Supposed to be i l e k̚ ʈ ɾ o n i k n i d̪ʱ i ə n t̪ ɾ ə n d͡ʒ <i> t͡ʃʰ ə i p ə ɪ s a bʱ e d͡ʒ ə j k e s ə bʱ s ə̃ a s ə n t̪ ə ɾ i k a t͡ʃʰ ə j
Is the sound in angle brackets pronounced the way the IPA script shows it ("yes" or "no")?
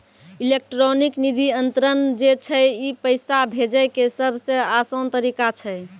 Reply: no